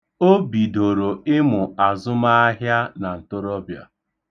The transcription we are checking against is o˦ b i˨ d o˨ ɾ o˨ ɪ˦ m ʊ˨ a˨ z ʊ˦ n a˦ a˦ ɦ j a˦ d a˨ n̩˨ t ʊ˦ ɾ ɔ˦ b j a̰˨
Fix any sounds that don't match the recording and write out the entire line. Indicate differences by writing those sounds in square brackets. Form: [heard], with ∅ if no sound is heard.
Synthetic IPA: o˦ b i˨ d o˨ ɾ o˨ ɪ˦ m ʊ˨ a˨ z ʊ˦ [m] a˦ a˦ ɦ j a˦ [n] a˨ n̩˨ t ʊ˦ ɾ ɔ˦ b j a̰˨